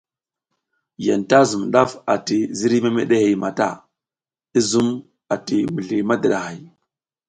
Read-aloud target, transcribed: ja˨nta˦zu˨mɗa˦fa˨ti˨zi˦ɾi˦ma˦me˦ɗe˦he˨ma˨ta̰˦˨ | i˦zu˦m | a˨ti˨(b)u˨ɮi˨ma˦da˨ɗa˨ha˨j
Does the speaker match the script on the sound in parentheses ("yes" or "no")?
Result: no